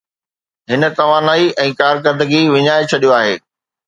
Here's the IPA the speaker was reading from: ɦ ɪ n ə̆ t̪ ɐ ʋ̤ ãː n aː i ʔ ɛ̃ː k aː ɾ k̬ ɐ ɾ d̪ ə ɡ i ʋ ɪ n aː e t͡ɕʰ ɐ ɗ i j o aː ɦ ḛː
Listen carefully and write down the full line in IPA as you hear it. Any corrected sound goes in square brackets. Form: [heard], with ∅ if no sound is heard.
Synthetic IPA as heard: ɦ ɪ n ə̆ t̪ ɐ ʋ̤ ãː n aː i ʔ ɛ̃ː k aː ɾ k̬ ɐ ɾ d̪ ə ɡ i ʋ ɪ [ɲ] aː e t͡ɕʰ ɐ ɗ i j o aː ɦ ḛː